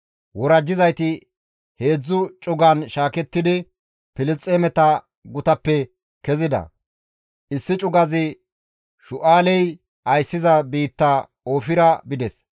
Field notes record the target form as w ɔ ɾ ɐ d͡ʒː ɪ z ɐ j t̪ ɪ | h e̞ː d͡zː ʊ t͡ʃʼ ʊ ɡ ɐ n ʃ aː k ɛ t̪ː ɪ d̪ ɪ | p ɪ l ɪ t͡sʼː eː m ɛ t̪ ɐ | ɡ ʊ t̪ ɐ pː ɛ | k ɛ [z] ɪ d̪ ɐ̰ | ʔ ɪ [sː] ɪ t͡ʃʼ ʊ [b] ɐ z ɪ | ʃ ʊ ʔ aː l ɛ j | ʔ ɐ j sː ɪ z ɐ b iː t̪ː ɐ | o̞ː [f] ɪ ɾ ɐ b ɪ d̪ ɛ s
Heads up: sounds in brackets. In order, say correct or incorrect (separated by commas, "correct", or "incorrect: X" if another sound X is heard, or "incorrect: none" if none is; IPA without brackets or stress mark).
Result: correct, correct, incorrect: ɡ, correct